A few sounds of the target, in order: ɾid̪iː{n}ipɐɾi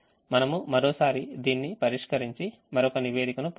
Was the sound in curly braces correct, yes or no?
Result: no